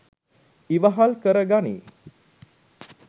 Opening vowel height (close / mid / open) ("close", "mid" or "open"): close